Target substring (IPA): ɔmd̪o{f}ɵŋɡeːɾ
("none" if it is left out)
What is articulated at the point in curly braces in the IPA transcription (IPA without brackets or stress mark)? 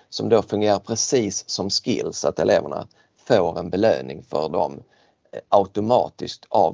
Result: f